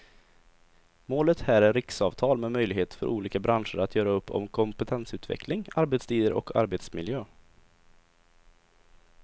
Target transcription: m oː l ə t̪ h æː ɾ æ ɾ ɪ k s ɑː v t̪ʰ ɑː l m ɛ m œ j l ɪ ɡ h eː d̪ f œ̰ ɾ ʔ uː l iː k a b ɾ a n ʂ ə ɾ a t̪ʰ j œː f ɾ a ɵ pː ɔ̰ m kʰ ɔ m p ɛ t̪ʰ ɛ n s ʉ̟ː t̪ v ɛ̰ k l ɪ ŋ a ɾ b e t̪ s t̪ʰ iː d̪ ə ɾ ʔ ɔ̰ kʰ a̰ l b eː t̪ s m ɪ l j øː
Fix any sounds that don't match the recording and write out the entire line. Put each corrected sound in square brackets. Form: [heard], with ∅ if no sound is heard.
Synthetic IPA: m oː l ə t̪ h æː ɾ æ ɾ ɪ k s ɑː v t̪ʰ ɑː l m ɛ m œ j l ɪ ɡ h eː [t̪] f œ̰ ɾ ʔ uː l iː k a b ɾ a n ʂ ə ɾ a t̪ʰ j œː [∅] ɾ a ɵ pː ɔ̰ m kʰ ɔ m p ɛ t̪ʰ ɛ n s ʉ̟ː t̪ v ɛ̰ k l ɪ ŋ a ɾ b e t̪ s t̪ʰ iː d̪ ə ɾ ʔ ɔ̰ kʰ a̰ [ɾ] b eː t̪ s m ɪ l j øː